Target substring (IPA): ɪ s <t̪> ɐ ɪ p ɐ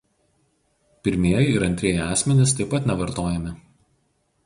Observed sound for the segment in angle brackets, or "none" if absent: t̪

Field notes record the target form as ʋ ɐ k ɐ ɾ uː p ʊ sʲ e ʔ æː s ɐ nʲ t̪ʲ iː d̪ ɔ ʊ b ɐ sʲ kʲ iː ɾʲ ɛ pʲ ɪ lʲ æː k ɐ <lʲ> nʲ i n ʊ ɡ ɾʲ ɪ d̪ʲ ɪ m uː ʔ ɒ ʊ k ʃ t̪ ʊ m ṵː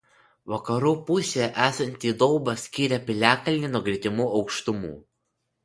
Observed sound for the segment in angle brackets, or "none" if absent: lʲ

